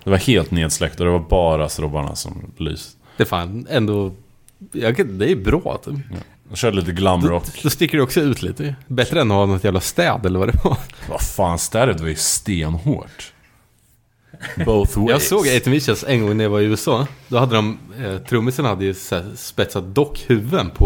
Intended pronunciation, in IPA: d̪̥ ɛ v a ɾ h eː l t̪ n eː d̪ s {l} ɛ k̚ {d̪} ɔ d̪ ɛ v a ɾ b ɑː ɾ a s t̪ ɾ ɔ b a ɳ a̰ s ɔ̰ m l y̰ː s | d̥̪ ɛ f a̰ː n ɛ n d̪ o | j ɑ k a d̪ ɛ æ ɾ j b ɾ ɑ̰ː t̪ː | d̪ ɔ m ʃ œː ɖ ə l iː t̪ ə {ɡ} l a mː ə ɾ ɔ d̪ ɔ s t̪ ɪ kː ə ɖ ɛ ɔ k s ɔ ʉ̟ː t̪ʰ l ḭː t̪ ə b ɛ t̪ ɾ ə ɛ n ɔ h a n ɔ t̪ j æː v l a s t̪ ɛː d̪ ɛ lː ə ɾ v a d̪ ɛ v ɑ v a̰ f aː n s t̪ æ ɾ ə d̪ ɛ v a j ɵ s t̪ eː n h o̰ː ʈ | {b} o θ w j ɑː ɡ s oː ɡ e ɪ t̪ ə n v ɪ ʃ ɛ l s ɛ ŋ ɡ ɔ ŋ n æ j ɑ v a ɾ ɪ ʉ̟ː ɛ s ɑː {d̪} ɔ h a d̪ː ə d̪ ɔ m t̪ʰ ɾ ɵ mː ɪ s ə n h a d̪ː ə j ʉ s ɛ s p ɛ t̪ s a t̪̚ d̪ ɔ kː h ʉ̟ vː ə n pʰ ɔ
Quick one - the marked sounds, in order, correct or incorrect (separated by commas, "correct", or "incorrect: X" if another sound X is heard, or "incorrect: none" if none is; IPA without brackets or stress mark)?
correct, incorrect: t̪, correct, correct, correct